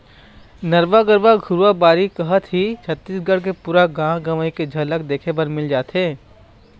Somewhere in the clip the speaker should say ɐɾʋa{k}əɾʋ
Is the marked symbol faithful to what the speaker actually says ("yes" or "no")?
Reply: no